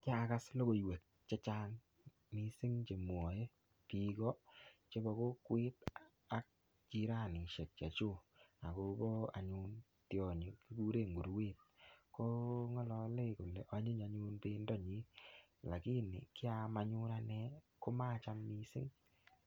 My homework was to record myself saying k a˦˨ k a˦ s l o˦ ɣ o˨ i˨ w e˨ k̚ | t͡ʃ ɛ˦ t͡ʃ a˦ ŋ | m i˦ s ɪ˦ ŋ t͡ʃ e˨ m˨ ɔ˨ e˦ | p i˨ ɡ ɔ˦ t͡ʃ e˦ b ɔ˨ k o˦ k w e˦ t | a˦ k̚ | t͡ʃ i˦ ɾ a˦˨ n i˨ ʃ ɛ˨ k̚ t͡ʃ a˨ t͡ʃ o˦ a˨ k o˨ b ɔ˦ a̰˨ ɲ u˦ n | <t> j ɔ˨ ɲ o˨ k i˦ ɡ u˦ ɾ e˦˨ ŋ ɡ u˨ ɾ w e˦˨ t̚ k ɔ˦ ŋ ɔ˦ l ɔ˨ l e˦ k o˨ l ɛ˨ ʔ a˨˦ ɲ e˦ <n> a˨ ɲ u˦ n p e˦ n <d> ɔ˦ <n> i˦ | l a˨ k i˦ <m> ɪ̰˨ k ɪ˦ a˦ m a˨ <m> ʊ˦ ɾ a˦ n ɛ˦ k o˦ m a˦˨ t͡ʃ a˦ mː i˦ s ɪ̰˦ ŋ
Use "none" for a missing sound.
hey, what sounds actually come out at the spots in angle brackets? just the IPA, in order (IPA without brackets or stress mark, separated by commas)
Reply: t, ɲ, d, ɲ, n, ɲ